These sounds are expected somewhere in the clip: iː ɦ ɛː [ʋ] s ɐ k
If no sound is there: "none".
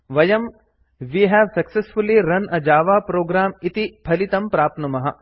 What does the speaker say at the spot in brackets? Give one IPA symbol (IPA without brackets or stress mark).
ʋ